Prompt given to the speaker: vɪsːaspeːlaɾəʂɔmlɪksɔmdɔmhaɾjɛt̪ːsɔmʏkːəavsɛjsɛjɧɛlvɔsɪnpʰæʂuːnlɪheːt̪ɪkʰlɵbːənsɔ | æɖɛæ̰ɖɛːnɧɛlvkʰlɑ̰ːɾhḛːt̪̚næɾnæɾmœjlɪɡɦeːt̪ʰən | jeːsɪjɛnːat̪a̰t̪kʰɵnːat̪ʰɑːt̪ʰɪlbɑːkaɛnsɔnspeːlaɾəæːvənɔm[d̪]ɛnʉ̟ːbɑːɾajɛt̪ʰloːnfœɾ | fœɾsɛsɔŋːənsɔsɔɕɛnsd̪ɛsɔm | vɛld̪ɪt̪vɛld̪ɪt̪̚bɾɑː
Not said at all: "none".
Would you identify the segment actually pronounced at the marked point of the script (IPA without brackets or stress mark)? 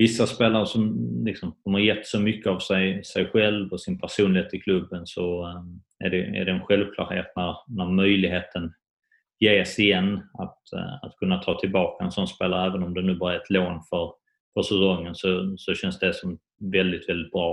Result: d̪